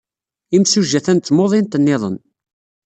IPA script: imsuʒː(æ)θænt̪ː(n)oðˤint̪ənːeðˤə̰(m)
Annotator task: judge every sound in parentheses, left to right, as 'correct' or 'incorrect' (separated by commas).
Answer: correct, incorrect, incorrect